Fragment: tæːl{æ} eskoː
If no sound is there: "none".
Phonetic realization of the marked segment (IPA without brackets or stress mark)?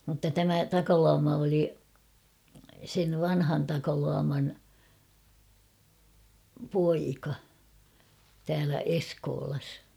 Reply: æ